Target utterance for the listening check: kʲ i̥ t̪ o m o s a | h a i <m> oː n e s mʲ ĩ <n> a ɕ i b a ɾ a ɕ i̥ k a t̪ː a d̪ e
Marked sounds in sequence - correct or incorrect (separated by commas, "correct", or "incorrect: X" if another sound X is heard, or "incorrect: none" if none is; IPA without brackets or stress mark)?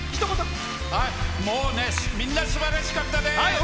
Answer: correct, incorrect: nː